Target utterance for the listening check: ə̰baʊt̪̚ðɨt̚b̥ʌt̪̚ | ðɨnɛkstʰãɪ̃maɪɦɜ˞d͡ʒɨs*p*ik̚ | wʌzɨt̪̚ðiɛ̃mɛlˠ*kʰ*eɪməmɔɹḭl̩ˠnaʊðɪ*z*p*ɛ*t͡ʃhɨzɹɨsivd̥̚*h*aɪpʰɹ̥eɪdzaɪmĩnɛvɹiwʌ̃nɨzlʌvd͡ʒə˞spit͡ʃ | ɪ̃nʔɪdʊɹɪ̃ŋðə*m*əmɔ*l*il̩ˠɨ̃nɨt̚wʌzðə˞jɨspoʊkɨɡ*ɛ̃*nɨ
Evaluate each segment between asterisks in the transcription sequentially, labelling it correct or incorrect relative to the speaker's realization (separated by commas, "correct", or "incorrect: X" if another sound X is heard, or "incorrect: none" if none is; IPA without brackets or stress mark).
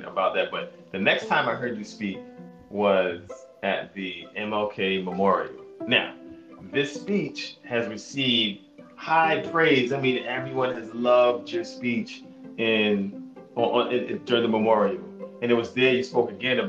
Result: correct, correct, incorrect: s, incorrect: i, correct, correct, incorrect: ɹ, correct